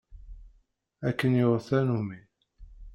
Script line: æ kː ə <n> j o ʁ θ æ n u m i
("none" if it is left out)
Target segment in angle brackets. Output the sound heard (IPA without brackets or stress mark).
n